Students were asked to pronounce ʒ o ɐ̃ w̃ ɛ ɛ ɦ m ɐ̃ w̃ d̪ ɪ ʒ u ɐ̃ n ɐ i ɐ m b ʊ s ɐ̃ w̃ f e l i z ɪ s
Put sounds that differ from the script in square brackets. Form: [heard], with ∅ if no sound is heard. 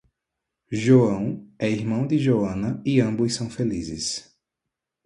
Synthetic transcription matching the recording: ʒ o ɐ̃ w̃ ɛ [i] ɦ m ɐ̃ w̃ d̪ ɪ ʒ [o] ɐ̃ n ɐ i [ɐ̃] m b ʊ s ɐ̃ w̃ f e l i z ɪ s

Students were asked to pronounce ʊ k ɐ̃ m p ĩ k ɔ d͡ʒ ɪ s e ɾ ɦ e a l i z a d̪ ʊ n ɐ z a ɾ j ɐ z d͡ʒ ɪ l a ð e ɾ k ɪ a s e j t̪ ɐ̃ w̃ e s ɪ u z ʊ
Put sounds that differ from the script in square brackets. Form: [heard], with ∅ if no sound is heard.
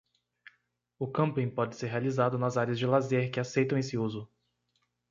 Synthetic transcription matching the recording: ʊ k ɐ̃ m p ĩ [p] ɔ d͡ʒ ɪ s e ɾ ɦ e a l i z a d̪ ʊ n ɐ z a ɾ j ɐ z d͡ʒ ɪ l a [z] e ɾ k ɪ a s e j t̪ ɐ̃ w̃ e s ɪ u z ʊ

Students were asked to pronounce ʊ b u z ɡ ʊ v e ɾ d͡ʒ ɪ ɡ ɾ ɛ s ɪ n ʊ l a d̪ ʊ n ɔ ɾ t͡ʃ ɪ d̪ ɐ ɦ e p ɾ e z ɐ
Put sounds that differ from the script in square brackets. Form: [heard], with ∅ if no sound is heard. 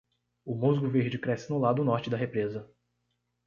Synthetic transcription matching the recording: ʊ [m] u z ɡ ʊ v e ɾ d͡ʒ ɪ [k] ɾ ɛ s ɪ n ʊ l a d̪ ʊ n ɔ ɾ t͡ʃ ɪ d̪ ɐ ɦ e p ɾ e z ɐ

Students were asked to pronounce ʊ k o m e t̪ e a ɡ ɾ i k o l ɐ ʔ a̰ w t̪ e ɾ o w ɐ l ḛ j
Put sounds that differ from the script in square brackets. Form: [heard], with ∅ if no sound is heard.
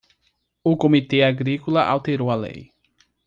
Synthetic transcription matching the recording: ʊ k o m [i] t̪ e a ɡ ɾ i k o l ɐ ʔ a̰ w t̪ e ɾ o w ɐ l ḛ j

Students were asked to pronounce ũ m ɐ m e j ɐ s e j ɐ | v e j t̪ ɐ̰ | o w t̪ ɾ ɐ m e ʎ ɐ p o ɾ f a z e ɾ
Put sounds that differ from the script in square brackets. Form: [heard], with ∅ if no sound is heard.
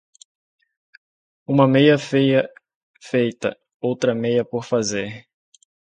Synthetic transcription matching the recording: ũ m ɐ m e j ɐ [f] e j ɐ | [f] e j t̪ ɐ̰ | o w t̪ ɾ ɐ m e [j] ɐ p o ɾ f a z e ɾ

